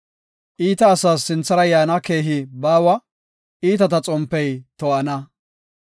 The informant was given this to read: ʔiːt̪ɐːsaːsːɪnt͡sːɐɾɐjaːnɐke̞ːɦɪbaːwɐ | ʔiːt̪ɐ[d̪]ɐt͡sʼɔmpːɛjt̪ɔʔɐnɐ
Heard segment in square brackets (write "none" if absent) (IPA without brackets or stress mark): t̪